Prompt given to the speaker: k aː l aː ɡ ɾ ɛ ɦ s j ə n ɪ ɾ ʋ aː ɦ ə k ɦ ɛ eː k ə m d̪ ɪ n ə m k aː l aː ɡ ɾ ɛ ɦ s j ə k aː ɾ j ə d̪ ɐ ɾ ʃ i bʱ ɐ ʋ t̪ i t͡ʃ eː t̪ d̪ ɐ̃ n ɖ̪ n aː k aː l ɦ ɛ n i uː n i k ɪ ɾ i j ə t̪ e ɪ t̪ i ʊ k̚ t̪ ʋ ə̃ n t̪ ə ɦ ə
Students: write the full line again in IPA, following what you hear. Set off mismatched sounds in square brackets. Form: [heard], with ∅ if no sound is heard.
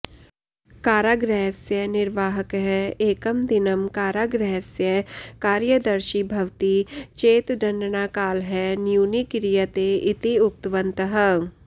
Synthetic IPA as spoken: k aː [ɾ] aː ɡ ɾ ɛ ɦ s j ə n ɪ ɾ ʋ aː ɦ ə k ɦ ɛ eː k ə m d̪ ɪ n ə m k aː [ɾ] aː ɡ ɾ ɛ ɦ s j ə k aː ɾ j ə d̪ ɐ ɾ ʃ i bʱ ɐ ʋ t̪ i t͡ʃ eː t̪ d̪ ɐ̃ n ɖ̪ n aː k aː l ɦ ɛ n [j] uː n i k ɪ ɾ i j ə t̪ e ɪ t̪ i ʊ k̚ t̪ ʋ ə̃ n t̪ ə ɦ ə